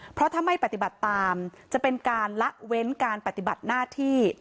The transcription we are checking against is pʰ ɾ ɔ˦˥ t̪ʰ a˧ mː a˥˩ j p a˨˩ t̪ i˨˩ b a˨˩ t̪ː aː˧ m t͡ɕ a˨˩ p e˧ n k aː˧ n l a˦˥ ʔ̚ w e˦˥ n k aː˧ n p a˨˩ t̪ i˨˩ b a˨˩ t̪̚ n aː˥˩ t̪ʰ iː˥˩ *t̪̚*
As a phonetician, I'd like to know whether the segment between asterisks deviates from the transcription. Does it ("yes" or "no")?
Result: yes